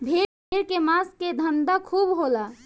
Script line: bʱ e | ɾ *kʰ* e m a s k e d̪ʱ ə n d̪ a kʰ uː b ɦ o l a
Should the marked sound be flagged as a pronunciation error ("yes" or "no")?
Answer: yes